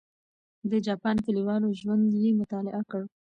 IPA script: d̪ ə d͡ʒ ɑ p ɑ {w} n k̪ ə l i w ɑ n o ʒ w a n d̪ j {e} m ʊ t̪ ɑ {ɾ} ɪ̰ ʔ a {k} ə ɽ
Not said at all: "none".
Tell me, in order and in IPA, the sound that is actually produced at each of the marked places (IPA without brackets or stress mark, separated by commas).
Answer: none, e, l, k